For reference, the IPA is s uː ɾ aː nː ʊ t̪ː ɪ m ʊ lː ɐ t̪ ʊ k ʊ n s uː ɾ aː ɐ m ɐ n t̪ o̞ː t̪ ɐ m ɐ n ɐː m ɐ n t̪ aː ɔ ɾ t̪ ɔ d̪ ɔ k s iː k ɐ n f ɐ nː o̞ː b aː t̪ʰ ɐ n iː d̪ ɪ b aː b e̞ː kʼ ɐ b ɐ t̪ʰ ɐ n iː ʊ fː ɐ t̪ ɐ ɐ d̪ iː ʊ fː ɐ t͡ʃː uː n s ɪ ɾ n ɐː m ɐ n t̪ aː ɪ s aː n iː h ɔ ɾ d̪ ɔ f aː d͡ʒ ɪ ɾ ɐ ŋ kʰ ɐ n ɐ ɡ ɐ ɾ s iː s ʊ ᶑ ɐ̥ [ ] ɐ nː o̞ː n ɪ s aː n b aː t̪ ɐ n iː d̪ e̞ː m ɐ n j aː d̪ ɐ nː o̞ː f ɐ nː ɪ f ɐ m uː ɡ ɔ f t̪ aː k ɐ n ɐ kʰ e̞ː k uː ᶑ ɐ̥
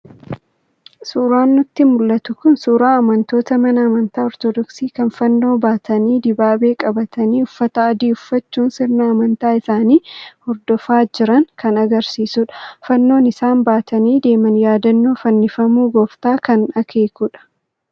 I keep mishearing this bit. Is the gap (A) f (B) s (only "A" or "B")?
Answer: A